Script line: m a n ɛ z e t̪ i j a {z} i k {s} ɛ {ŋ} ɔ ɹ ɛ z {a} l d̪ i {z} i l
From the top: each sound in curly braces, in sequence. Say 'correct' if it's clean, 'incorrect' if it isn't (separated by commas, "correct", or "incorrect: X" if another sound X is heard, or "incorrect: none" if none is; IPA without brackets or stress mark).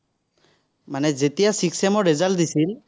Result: incorrect: s, correct, incorrect: m, correct, incorrect: s